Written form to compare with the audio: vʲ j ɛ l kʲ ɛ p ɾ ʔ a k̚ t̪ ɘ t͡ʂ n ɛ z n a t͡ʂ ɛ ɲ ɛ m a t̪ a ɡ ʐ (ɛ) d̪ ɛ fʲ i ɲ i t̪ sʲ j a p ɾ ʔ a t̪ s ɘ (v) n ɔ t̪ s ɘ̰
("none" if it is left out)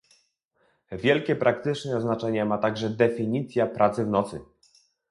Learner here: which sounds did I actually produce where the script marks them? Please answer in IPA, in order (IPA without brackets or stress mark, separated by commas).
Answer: ɛ, v